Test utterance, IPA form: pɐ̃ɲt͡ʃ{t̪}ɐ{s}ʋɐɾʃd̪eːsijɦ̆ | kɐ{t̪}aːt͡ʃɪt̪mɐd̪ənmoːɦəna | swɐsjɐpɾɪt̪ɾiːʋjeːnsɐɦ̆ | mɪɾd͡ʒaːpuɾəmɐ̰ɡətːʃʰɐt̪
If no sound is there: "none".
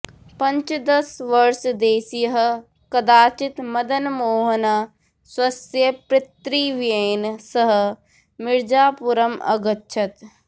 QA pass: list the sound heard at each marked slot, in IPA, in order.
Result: d̪, s, d̪

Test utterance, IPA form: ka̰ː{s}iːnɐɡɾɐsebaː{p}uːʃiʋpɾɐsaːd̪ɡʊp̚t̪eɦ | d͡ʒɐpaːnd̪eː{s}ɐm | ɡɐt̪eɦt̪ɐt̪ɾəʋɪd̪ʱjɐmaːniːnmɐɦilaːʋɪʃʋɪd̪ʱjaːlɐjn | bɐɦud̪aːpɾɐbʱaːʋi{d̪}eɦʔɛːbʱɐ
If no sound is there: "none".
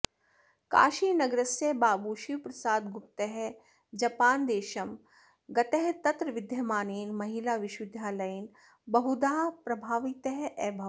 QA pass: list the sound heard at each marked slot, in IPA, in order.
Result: ʃ, b, ʃ, t̪

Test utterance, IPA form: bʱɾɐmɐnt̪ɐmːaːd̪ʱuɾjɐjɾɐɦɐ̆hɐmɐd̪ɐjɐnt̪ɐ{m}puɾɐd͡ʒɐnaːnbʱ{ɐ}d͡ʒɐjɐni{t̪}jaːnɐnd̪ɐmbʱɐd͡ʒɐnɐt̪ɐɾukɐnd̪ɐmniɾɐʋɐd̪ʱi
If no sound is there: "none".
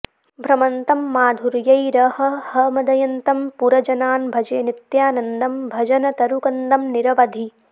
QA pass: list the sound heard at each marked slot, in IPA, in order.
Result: m, ɐ, t̪

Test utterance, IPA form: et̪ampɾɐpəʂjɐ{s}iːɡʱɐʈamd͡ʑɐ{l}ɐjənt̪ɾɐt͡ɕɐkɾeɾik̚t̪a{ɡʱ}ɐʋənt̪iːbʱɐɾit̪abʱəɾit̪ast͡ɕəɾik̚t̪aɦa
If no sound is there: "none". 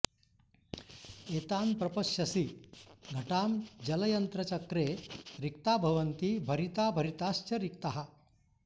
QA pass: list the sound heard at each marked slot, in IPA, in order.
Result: s, l, bʱ

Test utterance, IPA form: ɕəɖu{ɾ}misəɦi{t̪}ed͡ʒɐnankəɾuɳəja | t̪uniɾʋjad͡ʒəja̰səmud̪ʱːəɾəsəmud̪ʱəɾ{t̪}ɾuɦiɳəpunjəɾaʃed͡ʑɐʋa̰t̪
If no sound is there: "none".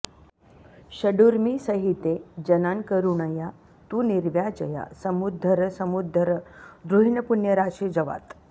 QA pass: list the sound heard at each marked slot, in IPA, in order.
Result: ɾ, t̪, d̪

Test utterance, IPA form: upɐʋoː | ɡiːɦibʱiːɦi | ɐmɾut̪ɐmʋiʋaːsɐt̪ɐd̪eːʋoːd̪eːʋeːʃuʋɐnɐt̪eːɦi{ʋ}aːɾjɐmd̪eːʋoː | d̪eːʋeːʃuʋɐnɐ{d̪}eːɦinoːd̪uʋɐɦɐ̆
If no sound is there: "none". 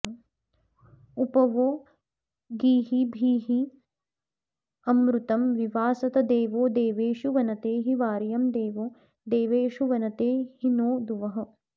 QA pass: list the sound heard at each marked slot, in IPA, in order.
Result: ʋ, t̪

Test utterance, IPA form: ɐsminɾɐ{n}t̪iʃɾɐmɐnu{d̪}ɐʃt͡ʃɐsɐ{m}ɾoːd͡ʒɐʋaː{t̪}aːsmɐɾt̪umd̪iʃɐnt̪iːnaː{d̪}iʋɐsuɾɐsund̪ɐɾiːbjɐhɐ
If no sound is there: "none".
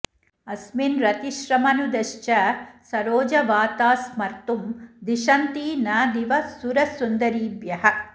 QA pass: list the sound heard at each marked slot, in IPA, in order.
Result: none, d̪, none, t̪, d̪

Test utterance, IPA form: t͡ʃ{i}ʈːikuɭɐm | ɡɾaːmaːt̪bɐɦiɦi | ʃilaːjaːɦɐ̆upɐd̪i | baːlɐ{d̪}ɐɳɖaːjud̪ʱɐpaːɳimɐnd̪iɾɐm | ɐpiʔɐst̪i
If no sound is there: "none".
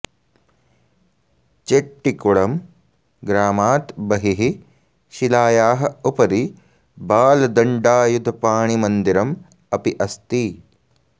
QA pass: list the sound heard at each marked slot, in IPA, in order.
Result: e, d̪

